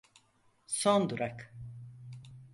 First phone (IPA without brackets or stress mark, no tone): s